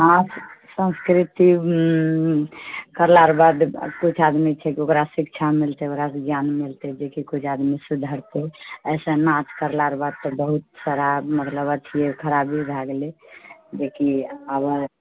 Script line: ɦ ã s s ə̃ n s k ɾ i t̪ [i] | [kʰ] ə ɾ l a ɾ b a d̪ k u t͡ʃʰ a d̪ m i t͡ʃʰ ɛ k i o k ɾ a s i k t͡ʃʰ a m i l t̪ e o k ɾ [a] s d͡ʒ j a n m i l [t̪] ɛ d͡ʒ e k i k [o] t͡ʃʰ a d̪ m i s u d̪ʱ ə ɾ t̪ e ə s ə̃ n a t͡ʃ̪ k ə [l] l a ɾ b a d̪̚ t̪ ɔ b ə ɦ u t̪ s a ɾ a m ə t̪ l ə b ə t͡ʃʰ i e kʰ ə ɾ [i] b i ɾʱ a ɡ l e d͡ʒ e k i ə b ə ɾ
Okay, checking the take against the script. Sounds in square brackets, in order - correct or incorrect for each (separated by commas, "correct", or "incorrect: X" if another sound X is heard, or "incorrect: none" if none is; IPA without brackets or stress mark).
correct, incorrect: k, correct, correct, incorrect: u, incorrect: ɾ, incorrect: a